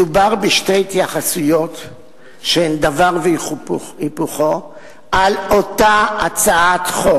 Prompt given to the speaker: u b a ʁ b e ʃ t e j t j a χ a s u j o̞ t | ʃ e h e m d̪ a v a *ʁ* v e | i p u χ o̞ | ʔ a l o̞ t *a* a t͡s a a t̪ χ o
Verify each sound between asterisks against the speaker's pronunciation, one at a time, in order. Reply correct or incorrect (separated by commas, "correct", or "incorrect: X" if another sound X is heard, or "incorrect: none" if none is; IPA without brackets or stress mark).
correct, correct